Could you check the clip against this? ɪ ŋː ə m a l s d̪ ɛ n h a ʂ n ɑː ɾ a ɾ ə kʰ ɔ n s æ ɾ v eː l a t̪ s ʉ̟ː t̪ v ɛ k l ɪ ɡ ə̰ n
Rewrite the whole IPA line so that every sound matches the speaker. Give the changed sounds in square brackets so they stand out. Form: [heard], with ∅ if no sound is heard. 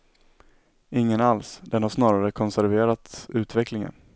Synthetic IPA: ɪ ŋː ə [n] a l s d̪ ɛ n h a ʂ n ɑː ɾ a ɾ ə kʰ ɔ n s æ ɾ v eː [ɾ] a t̪ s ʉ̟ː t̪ v ɛ k l ɪ [ŋ] ə̰ n